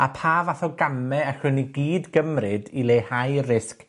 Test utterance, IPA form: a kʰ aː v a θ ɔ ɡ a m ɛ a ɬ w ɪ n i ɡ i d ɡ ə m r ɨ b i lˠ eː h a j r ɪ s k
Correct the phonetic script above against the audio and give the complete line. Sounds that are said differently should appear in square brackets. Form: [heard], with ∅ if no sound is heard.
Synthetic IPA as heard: a [pʰ] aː v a θ ɔ ɡ a m ɛ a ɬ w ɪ n i ɡ [iː] d ɡ ə m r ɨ [d] i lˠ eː h a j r ɪ s k

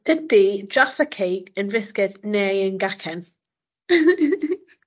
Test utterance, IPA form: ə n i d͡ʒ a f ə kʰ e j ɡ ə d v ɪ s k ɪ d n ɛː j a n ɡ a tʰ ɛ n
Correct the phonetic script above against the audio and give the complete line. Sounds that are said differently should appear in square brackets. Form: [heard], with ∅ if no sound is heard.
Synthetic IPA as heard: ə [d] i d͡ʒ a f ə kʰ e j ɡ ə [n] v ɪ s k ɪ d n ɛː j [ə] n ɡ a [kʰ] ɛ n

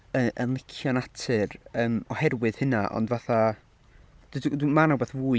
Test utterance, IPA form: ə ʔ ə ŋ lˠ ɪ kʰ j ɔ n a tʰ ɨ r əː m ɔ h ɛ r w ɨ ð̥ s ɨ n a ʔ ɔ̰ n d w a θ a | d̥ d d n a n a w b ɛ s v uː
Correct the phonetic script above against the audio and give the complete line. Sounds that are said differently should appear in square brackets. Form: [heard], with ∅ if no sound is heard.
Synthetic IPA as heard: ə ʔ ə [n] lˠ ɪ kʰ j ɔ n a tʰ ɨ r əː m ɔ h ɛ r w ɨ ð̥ [h] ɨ n a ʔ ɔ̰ n d [v] a θ a | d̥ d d [m] a n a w b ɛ [θ] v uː

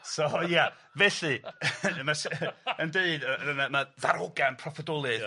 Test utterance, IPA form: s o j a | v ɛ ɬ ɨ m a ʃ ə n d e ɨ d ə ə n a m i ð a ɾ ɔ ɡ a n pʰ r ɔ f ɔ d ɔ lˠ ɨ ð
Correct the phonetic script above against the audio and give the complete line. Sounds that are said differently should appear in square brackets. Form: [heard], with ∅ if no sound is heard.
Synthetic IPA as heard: s o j a | v ɛ ɬ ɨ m a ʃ ə n d e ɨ d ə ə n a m [a] ð a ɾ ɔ ɡ a n pʰ r ɔ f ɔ d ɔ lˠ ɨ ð

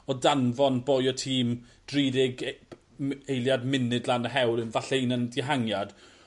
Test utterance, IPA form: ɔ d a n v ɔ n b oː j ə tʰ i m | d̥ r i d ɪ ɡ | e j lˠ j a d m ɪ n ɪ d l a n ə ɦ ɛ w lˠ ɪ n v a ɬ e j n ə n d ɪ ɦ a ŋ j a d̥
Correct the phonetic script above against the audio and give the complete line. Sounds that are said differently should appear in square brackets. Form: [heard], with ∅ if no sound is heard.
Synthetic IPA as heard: ɔ d a n v ɔ n b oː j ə tʰ [iː] m | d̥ r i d ɪ ɡ | e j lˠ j a d m ɪ n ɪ d l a n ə ɦ ɛ w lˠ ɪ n v a ɬ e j n ə n d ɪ ɦ a ŋ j a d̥

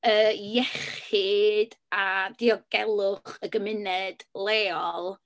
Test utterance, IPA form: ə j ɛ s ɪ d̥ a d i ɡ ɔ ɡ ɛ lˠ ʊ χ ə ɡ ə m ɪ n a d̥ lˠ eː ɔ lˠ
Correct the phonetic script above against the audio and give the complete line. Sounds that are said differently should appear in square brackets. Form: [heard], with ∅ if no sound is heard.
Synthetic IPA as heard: ə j ɛ [χ] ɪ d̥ a d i [∅] ɔ ɡ ɛ lˠ ʊ χ ə ɡ ə m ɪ n [ɛ] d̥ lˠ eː ɔ lˠ

